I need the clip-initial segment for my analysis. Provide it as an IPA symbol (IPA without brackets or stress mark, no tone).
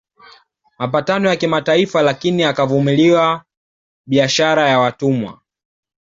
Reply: m